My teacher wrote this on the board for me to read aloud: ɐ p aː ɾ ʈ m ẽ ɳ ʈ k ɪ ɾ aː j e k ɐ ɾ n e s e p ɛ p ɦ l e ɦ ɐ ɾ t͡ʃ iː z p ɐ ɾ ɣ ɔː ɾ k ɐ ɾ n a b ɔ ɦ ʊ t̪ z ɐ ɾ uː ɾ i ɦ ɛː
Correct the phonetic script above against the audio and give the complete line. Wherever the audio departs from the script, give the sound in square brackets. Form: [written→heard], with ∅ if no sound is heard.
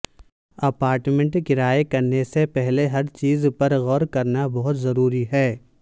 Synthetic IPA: ɐ p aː ɾ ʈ m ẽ ɳ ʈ k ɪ ɾ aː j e k ɐ ɾ n e s e p ɛ [p→∅] ɦ l e ɦ ɐ ɾ t͡ʃ iː z p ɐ ɾ ɣ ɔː ɾ k ɐ ɾ n a b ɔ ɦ ʊ t̪ z ɐ ɾ uː ɾ i ɦ ɛː